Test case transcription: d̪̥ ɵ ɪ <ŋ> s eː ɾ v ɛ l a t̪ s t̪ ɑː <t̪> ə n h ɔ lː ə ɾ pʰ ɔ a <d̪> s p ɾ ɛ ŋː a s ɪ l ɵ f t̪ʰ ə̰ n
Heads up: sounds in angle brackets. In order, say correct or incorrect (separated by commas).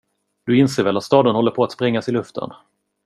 incorrect, incorrect, incorrect